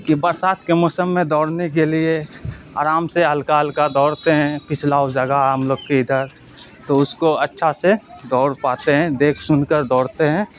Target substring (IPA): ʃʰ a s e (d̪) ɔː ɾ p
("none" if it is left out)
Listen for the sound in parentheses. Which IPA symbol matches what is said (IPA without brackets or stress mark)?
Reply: d̪